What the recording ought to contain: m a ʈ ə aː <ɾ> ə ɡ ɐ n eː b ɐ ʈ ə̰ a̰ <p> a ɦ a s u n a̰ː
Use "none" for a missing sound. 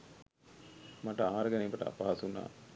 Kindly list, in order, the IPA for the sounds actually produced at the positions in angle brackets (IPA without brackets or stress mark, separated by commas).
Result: ɾ, p